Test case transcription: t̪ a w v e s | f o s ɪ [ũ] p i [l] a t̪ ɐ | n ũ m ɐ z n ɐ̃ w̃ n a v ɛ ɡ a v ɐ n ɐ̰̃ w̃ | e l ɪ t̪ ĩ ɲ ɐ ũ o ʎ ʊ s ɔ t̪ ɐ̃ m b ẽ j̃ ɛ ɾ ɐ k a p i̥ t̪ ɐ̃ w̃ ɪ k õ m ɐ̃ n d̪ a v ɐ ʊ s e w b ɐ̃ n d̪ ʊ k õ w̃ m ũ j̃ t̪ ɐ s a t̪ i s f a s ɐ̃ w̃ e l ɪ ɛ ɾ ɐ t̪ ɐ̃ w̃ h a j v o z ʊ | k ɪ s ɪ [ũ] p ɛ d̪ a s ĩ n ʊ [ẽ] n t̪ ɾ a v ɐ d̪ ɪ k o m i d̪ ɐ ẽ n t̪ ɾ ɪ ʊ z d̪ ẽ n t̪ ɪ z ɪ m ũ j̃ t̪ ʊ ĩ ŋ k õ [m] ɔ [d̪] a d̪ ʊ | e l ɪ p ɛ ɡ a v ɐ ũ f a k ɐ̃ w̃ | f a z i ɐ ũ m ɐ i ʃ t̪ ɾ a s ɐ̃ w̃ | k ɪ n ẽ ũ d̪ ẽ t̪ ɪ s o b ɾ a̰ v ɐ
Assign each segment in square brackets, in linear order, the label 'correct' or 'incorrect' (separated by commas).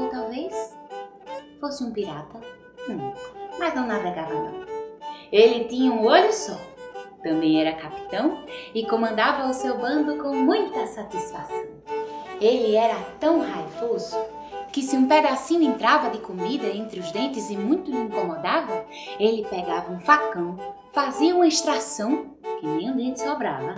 correct, incorrect, correct, correct, correct, correct